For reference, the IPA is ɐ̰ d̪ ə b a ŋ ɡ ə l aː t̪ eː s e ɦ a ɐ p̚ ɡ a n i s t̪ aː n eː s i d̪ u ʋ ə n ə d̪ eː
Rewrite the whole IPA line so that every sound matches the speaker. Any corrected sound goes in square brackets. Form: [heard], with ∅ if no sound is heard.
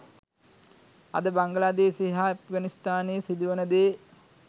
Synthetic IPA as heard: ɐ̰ d̪ ə b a ŋ ɡ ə l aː [d̪] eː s e ɦ a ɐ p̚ ɡ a n i s t̪ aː n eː s i d̪ u ʋ ə n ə d̪ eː